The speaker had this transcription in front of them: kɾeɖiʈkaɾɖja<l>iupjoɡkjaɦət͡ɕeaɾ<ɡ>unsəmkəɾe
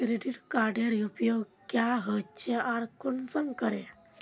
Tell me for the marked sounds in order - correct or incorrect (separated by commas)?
incorrect, incorrect